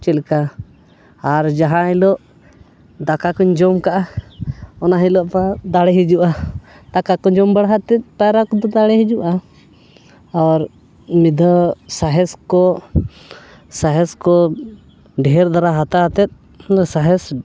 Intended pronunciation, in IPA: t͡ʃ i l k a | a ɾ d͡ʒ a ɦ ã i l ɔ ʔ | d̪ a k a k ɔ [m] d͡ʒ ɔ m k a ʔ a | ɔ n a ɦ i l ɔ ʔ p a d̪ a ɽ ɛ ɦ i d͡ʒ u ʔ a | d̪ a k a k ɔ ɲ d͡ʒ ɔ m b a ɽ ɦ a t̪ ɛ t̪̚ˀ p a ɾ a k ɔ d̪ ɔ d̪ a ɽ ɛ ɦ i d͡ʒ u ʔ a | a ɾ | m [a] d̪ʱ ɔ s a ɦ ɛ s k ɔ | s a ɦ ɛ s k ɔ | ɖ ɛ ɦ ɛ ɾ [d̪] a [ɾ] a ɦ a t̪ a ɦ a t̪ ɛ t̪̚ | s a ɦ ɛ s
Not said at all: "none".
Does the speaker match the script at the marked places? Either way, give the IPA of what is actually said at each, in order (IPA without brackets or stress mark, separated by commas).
ɲ, i, d̪, ɾ